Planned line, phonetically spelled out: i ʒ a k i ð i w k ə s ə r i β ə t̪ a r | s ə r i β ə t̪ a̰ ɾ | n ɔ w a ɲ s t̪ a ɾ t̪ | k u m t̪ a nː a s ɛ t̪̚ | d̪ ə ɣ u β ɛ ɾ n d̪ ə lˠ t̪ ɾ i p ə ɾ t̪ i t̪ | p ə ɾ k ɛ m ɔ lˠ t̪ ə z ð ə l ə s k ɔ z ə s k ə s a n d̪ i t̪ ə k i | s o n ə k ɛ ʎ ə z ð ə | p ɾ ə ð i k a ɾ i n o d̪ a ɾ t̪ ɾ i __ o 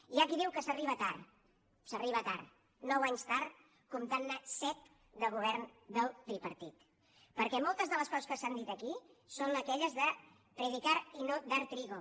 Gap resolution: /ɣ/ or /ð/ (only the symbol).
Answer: ɣ